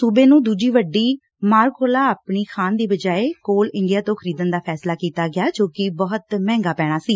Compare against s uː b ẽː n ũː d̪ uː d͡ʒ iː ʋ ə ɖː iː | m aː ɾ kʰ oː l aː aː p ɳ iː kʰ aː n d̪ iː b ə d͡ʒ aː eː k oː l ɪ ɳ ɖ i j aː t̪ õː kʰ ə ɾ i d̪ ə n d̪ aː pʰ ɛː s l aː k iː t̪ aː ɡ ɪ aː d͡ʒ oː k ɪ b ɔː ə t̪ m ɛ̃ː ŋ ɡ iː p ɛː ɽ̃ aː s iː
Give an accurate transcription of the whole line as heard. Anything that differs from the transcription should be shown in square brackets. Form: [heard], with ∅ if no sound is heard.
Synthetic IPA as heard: s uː b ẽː n ũː d̪ uː d͡ʒ iː ʋ ə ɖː iː | m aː ɾ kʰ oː l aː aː p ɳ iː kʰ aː n d̪ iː b ə d͡ʒ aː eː k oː l ɪ ɳ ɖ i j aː t̪ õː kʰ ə ɾ [iː] d̪ ə n d̪ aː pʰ ɛː s l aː k iː t̪ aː ɡ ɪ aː d͡ʒ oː k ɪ b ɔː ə t̪ m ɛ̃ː ŋ ɡ [aː] p ɛː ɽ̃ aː s iː

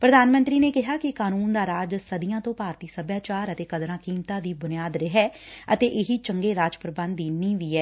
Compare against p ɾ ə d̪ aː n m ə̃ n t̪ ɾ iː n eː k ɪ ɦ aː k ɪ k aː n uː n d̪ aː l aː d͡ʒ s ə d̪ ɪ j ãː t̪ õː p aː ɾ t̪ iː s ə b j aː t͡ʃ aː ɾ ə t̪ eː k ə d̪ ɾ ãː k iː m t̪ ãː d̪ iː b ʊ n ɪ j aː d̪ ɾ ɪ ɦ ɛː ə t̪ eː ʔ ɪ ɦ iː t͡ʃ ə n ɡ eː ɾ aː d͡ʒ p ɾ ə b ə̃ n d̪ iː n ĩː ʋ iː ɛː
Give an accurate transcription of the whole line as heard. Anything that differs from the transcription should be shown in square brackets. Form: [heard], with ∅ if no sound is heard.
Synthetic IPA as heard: p ɾ ə d̪ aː n m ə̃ n t̪ ɾ iː n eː k ɪ ɦ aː k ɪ k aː n uː n d̪ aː [ɾ] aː d͡ʒ s ə d̪ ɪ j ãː t̪ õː p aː ɾ t̪ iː s ə b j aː t͡ʃ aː ɾ ə t̪ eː k ə d̪ ɾ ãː k iː m t̪ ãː d̪ iː b ʊ n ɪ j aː d̪ ɾ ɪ ɦ ɛː ə t̪ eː ʔ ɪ ɦ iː t͡ʃ ə [ŋ] ɡ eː ɾ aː d͡ʒ p ɾ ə b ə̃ n d̪ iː n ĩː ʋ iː ɛː

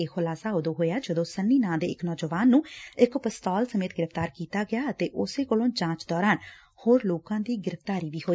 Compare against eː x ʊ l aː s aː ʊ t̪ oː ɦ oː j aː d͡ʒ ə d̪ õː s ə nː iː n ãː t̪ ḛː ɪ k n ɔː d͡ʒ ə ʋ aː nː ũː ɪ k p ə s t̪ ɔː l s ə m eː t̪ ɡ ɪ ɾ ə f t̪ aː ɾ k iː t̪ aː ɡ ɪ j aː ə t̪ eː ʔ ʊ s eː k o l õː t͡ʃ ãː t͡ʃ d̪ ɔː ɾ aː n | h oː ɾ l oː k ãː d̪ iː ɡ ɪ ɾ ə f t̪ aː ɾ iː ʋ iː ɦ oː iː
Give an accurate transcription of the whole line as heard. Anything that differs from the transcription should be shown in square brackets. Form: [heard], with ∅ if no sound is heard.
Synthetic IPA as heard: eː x ʊ l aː s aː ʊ [d̪] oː ɦ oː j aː d͡ʒ ə d̪ õː s ə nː iː n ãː [d̪] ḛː ɪ k n ɔː d͡ʒ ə ʋ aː nː ũː ɪ k p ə s t̪ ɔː l s ə m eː t̪ ɡ ɪ ɾ ə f t̪ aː ɾ k iː t̪ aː ɡ ɪ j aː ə t̪ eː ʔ ʊ s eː k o l õː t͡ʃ ãː t͡ʃ d̪ ɔː ɾ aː n | h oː ɾ l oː k ãː d̪ iː ɡ ɪ ɾ ə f t̪ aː ɾ iː ʋ iː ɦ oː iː

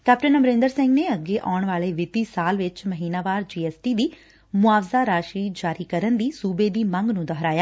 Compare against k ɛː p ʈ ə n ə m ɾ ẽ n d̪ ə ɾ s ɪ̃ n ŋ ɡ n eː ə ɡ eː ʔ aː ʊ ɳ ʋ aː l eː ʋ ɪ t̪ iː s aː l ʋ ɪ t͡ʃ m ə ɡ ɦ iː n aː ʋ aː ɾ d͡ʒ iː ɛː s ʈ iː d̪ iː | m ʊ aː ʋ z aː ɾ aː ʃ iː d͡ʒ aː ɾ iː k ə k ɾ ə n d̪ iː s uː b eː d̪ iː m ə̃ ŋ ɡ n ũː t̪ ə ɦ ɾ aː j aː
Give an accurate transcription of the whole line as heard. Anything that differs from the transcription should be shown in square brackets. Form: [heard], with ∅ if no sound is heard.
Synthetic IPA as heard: k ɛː p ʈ ə n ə m ɾ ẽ n d̪ ə ɾ s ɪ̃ [∅] ŋ ɡ n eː ə ɡ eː ʔ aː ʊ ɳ ʋ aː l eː ʋ ɪ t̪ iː s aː l ʋ ɪ t͡ʃ m ə [∅] ɦ iː n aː ʋ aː ɾ d͡ʒ iː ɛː s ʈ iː d̪ iː | m ʊ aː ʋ z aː ɾ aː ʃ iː d͡ʒ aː ɾ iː k ə [∅] ɾ ə n d̪ iː s uː b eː d̪ iː m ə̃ ŋ ɡ n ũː [d̪] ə ɦ ɾ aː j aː

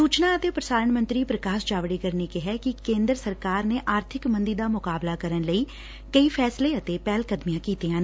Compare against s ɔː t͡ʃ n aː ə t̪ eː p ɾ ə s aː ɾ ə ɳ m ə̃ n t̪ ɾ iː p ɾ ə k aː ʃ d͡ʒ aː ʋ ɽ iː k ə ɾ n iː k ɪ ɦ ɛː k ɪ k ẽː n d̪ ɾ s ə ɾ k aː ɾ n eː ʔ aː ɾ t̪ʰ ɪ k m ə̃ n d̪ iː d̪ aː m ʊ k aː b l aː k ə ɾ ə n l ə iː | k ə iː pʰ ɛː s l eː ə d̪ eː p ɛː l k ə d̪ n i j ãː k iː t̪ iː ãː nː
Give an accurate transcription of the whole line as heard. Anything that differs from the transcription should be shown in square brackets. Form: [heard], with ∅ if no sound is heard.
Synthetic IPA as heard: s [uː] t͡ʃ n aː ə t̪ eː p ɾ ə s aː ɾ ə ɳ m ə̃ n t̪ ɾ iː p ɾ ə k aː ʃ d͡ʒ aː ʋ ɽ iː k ə ɾ n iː k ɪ ɦ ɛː k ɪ k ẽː n d̪ ɾ s ə ɾ k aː ɾ n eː ʔ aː ɾ t̪ʰ ɪ k m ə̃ n d̪ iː d̪ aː m ʊ k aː b l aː k ə ɾ ə n l ə iː | k ə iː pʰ ɛː s l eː ə [t̪] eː p ɛː l k ə d̪ [m] i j ãː k iː t̪ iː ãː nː

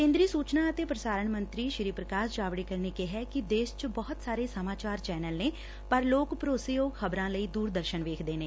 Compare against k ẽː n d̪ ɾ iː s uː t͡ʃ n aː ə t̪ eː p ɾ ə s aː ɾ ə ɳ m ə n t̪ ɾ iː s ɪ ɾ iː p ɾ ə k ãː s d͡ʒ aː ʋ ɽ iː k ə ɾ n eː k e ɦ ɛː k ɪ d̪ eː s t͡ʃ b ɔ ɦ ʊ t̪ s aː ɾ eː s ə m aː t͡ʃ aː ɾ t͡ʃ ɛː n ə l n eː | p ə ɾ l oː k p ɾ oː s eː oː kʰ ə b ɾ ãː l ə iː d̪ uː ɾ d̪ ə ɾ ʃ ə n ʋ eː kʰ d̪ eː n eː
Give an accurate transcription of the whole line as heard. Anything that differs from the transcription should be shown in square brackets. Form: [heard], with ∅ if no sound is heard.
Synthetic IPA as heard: k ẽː n d̪ ɾ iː s uː t͡ʃ n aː ə t̪ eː p ɾ ə s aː ɾ ə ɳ m ə n t̪ ɾ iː [ʃ] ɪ ɾ iː p ɾ ə k [aː] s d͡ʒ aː ʋ ɽ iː k ə ɾ n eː k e ɦ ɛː k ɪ d̪ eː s t͡ʃ b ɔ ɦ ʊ t̪ s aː ɾ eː s ə m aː t͡ʃ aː ɾ t͡ʃ ɛː n ə l n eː | p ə ɾ l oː k p ɾ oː s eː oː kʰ ə b ɾ ãː l ə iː d̪ uː ɾ d̪ ə ɾ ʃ ə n ʋ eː kʰ d̪ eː n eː

